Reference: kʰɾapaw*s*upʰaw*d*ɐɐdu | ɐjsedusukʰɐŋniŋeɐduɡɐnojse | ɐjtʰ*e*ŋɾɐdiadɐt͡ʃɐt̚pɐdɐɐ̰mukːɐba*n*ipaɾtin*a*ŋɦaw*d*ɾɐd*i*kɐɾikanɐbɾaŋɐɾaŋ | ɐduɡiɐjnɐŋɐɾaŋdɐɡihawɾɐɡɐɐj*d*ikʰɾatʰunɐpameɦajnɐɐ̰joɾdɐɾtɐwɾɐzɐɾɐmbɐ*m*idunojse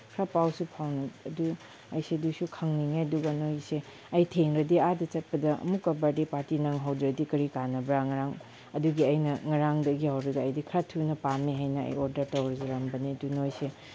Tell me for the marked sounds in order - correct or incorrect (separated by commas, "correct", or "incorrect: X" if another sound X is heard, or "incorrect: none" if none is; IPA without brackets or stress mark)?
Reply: correct, incorrect: n, correct, incorrect: d, correct, correct, correct, correct, incorrect: n